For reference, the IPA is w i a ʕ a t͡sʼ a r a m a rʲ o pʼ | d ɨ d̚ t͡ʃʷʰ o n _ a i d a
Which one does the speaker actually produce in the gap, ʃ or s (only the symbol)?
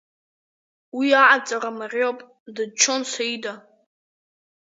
s